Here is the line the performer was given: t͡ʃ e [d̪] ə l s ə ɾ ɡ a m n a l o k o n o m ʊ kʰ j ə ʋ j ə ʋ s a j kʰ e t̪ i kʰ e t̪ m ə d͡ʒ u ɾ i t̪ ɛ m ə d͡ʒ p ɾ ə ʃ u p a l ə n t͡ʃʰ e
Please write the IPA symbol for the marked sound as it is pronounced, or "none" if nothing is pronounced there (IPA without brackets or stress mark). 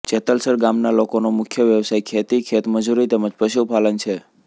t̪